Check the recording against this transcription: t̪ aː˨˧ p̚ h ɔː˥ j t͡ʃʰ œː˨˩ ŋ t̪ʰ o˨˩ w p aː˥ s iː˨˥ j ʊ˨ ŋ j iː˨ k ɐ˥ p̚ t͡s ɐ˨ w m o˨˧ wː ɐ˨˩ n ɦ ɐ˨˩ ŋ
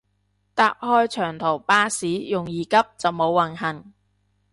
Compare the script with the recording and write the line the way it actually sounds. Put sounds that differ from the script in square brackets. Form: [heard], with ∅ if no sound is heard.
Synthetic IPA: t̪ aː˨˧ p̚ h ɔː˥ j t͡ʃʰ œː˨˩ ŋ t̪ʰ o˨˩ w p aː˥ s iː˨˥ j ʊ˨ ŋ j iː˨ k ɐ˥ p̚ t͡s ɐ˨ w m o˨˧ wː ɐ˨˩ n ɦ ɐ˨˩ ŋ